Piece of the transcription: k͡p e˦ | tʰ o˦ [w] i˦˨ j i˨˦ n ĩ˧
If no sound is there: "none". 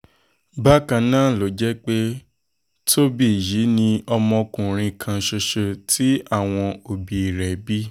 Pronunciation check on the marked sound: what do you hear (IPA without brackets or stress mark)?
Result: b